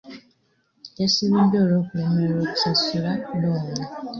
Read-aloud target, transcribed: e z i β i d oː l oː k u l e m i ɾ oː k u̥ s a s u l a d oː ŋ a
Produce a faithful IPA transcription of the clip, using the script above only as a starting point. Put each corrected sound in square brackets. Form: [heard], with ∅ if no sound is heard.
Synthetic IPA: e [s] i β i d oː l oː k u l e m [e] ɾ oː k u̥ s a s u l a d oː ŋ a